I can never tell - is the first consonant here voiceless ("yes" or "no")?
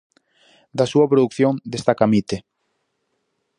no